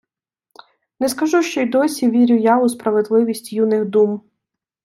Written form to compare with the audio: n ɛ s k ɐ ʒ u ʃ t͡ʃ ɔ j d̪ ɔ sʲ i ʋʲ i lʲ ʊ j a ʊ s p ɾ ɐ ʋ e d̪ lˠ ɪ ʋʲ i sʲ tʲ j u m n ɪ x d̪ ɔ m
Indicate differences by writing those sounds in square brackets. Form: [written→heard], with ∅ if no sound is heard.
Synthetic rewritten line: n ɛ s k ɐ ʒ u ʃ t͡ʃ ɔ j d̪ ɔ sʲ i ʋʲ i [lʲ→ɾʲ] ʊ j a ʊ s p ɾ ɐ ʋ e d̪ lˠ ɪ ʋʲ i sʲ tʲ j u [m→∅] n ɪ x d̪ [ɔ→u] m